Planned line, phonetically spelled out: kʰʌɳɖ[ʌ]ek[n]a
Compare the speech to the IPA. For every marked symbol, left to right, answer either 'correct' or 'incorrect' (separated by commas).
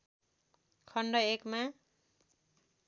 correct, incorrect